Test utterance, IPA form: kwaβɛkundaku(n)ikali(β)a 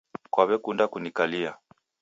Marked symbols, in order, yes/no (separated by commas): yes, no